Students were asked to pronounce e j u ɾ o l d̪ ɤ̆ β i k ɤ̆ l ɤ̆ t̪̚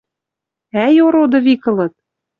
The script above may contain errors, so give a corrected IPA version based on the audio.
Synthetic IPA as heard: æ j o ɾ o d̪ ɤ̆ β i k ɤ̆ l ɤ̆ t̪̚